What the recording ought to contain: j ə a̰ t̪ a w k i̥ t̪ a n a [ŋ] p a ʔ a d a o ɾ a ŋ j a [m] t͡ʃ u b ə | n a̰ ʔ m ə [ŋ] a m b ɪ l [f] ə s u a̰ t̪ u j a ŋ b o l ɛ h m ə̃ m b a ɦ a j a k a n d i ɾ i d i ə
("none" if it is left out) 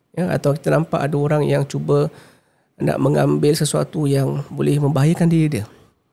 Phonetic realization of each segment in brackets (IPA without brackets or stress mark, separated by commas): m, ŋ, ŋ, s